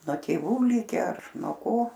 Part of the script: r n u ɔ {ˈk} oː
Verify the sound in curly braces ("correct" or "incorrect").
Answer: correct